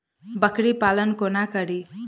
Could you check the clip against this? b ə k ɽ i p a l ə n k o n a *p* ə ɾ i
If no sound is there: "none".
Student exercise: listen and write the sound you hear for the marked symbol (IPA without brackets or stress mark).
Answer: k